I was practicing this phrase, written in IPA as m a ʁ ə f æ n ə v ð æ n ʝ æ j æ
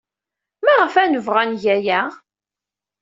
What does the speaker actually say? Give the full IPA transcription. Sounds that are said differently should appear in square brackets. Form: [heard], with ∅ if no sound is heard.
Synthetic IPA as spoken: m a ʁ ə f æ n ə v [ʁ] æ n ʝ æ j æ